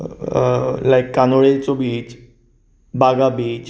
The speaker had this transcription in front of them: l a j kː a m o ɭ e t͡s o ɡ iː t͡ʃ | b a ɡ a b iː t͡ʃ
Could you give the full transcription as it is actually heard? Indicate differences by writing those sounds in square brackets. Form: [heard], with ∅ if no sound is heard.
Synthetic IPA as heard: l a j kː a [n] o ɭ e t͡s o [b] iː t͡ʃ | b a ɡ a b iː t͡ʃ

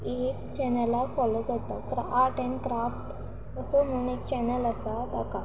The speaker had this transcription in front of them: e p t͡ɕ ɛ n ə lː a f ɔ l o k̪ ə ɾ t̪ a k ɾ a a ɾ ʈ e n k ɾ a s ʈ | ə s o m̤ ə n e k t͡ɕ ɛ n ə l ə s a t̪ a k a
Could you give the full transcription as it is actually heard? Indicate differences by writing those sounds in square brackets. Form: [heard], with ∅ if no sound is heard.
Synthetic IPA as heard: e [k] t͡ɕ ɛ n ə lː a f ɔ l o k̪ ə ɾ t̪ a k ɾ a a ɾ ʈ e n k ɾ a [f] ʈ | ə s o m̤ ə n e k t͡ɕ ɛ n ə l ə s a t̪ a k a

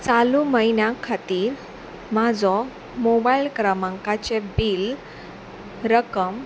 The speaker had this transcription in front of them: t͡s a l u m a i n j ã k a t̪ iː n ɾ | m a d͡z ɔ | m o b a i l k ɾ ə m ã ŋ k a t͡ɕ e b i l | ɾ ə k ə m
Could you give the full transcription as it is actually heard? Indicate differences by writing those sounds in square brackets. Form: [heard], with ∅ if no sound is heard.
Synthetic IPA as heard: t͡s a l u m [ə] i n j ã [kʰ] a t̪ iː [∅] ɾ | m a d͡z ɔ | m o b a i l k ɾ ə m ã ŋ k a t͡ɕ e b i l | ɾ ə k ə m

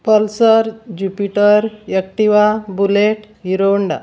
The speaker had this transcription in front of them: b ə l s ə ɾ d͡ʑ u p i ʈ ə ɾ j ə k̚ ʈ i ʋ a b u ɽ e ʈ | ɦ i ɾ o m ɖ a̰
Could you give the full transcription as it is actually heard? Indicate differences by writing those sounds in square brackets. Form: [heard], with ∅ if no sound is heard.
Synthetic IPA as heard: [p] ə l s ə ɾ d͡ʑ u p i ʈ ə ɾ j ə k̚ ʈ i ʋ a b u [l] e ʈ | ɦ i ɾ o [ɳ] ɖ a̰

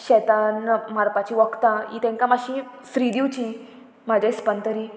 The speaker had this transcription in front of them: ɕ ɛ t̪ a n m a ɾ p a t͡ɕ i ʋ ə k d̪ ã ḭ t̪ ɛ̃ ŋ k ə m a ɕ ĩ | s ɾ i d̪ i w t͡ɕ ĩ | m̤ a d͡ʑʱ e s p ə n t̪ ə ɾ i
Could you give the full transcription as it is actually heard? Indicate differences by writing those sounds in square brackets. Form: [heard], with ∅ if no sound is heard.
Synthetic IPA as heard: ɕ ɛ t̪ a n m a ɾ p a t͡ɕ i ʋ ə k [t̪] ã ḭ t̪ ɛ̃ ŋ k [a] m a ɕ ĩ | s ɾ i d̪ i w t͡ɕ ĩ | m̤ a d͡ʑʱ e s p ə n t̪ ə ɾ i

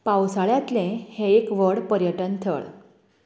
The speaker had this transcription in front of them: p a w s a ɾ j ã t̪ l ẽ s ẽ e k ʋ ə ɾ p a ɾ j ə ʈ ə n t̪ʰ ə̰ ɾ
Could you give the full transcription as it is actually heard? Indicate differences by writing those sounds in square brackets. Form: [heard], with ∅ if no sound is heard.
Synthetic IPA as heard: p a w s a [ɭ] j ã t̪ l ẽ [h] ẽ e k ʋ ə [ɽ] p [ə] ɾ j ə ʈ ə n t̪ʰ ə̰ [ɭ]

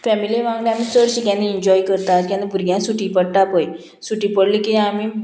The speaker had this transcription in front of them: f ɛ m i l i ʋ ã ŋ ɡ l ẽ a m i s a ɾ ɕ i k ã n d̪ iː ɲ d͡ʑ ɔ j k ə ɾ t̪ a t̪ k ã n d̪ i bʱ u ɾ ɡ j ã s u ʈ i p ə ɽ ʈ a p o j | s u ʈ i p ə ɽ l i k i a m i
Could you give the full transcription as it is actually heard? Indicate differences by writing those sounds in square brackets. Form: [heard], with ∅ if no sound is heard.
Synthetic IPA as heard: f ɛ m i l i ʋ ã ŋ ɡ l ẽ a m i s [ə] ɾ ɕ i k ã n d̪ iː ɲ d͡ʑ ɔ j k ə ɾ t̪ a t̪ k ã n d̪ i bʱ u ɾ ɡ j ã s u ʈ i p ə ɽ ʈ a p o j | s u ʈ i p ə ɽ l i k i a m i

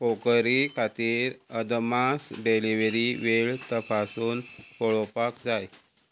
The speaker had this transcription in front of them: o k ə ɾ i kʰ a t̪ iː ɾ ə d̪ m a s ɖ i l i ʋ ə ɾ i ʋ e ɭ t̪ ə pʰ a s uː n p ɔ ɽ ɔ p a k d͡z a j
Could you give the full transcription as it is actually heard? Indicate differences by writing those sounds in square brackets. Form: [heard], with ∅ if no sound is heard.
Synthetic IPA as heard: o k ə ɾ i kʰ a t̪ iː ɾ ə d̪ m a s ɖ [e] l i ʋ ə ɾ i ʋ e ɭ t̪ ə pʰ a s uː n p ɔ [ɭ] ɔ p a k d͡z a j

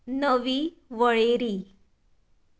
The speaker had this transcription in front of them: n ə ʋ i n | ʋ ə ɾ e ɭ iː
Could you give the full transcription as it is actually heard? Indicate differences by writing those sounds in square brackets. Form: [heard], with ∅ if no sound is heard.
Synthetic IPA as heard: n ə ʋ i [∅] | ʋ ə [ɭ] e [ɾ] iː

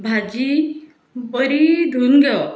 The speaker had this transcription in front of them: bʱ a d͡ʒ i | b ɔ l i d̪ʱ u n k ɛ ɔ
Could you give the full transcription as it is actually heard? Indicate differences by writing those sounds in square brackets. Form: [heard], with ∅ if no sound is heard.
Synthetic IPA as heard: bʱ a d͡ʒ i | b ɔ [ɾ] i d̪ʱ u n [ɡ] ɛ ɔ

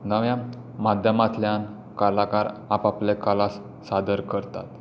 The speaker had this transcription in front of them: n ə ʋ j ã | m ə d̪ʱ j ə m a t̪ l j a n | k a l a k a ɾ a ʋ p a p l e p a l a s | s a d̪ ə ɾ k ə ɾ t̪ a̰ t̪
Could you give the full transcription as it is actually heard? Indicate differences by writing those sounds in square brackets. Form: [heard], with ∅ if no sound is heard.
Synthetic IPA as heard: n ə ʋ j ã | m [a] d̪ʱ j ə m a t̪ l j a n | k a l a k a ɾ a [∅] p a p l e [k] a l a s | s a d̪ ə ɾ k ə ɾ t̪ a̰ t̪

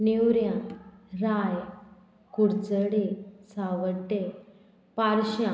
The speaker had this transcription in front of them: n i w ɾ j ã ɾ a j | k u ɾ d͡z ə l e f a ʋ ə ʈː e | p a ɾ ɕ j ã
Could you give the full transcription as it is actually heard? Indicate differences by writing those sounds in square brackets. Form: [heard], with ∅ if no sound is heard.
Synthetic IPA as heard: n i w ɾ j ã ɾ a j | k u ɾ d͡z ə [ɽ] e [s] a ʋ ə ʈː e | p a ɾ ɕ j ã

